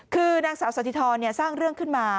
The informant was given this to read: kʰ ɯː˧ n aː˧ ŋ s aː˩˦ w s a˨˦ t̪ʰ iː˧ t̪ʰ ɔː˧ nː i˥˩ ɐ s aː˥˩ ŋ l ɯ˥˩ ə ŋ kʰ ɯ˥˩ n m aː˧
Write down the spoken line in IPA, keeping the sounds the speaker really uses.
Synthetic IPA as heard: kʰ ɯː˧ n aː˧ ŋ s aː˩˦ w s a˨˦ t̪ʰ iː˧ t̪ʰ ɔː˧ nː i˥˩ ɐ s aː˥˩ ŋ ɾ ɯ˥˩ ə ŋ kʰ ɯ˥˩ n m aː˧